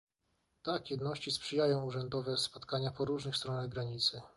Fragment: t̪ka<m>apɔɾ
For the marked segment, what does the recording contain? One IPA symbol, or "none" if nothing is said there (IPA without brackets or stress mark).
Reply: ɲ